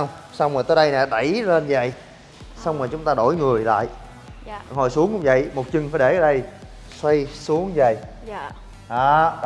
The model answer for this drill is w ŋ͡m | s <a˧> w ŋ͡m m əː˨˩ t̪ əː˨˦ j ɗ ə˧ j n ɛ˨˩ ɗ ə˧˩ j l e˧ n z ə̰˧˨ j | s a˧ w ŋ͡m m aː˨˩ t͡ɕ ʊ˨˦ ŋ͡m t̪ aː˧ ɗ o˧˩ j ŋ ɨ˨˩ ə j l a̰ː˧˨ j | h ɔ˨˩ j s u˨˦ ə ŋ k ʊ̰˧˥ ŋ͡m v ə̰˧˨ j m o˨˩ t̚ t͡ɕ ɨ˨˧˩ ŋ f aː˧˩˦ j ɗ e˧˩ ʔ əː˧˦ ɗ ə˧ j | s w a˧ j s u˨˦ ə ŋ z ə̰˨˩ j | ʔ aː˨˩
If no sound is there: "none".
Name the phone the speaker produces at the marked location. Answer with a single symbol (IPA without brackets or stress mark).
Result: a˧